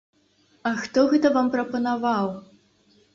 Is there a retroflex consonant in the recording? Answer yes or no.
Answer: no